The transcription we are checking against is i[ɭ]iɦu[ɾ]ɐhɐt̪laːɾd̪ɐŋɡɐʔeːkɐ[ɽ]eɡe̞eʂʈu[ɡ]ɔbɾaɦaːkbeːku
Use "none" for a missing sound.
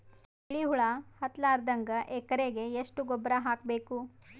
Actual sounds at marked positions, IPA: ɭ, ɭ, ɾ, ɡ

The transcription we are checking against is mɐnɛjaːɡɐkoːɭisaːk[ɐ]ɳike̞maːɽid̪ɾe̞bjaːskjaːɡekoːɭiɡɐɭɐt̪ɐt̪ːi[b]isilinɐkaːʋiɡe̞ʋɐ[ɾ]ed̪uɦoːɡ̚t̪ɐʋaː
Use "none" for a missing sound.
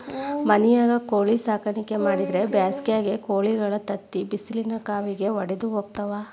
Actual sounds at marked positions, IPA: ɐ, b, ɽ

